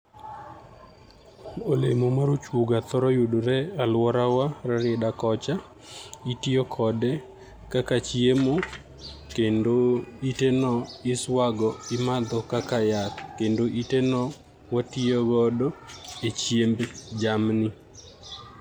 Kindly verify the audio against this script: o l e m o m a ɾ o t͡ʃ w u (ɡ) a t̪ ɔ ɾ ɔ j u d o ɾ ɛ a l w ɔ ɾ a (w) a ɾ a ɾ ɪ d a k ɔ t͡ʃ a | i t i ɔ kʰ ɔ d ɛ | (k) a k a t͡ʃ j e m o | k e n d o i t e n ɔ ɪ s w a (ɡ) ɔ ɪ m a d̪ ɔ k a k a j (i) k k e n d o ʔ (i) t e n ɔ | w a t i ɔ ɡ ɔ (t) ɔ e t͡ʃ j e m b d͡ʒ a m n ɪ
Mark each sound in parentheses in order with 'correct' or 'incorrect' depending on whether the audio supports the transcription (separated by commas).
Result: correct, correct, correct, correct, incorrect, correct, incorrect